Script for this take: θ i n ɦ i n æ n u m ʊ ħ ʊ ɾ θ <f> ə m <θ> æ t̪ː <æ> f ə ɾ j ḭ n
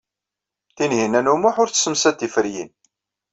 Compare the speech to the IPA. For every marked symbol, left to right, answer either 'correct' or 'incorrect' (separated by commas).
incorrect, incorrect, incorrect